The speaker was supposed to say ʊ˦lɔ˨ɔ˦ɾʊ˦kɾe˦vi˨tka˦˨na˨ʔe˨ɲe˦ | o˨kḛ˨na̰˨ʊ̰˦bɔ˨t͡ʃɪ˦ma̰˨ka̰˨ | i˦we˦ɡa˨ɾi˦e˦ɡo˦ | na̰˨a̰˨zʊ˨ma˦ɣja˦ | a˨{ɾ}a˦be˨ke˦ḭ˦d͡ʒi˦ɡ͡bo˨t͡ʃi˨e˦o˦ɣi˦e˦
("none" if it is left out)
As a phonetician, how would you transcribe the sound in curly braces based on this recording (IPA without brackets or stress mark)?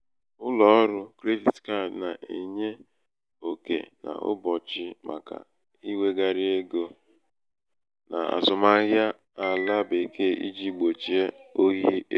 l